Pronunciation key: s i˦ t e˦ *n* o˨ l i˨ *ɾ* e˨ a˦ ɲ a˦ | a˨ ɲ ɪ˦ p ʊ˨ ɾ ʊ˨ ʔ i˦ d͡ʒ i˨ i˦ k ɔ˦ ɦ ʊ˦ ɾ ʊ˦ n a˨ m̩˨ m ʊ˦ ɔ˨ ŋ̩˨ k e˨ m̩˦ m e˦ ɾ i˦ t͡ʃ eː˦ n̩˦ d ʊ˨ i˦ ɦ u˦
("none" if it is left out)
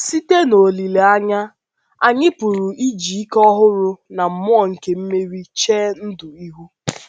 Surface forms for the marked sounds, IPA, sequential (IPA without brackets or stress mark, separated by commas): n, l